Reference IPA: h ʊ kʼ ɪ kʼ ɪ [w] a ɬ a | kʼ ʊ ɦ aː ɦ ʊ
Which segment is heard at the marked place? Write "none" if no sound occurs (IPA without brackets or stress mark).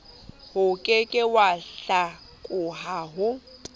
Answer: w